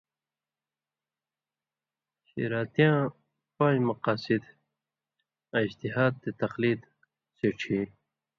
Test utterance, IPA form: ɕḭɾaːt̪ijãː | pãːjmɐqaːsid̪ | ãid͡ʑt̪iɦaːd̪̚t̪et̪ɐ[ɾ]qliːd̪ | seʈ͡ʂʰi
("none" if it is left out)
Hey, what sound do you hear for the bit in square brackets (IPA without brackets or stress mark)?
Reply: none